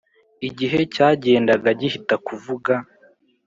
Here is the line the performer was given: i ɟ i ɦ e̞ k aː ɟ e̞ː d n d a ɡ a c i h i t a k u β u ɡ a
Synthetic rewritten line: i ɟ i ɦ e̞ c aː ɟ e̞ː n d a ɡ a ɟ i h i t a k u v u ɡ a